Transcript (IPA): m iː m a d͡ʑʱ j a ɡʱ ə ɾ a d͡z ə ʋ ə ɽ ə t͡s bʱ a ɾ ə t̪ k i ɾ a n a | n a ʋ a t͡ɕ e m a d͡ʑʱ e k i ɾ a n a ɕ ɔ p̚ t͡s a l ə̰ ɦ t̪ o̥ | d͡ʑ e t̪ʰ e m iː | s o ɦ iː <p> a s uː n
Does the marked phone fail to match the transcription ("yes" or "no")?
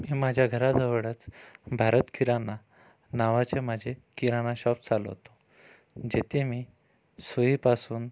no